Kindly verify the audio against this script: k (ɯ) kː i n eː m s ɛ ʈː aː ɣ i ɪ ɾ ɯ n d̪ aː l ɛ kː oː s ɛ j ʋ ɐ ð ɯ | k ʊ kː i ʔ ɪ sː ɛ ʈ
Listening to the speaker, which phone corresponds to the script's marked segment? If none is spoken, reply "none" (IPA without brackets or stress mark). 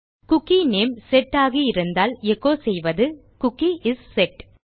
ʊ